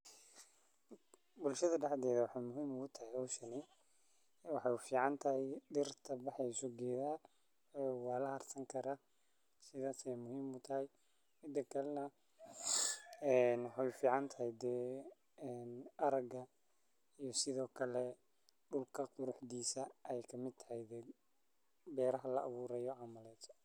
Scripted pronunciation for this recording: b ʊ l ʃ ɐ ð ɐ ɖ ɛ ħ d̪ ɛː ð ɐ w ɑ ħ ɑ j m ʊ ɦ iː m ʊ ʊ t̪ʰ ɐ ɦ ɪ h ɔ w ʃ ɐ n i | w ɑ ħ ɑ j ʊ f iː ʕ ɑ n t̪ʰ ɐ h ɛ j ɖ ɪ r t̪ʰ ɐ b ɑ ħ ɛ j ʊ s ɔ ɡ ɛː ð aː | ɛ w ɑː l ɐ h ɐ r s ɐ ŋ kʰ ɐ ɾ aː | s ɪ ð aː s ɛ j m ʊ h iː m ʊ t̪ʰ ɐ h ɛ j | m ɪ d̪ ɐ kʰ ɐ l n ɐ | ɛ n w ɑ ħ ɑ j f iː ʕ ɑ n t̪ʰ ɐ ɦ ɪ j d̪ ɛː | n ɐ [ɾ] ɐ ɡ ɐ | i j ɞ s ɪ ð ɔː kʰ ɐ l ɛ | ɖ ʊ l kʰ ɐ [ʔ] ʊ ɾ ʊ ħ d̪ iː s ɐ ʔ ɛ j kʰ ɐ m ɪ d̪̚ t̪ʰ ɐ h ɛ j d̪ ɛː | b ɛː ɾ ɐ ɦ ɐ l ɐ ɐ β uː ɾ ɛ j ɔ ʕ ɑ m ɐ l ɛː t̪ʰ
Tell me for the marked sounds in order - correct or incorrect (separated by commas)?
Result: correct, incorrect